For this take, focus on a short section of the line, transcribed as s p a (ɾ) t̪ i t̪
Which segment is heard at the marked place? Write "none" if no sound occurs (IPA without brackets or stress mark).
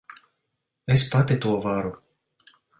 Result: none